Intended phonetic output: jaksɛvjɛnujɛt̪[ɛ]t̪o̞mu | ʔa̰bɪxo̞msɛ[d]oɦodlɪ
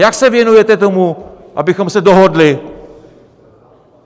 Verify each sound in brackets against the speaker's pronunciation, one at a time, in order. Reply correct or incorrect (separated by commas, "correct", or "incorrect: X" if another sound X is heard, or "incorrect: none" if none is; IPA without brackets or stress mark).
correct, correct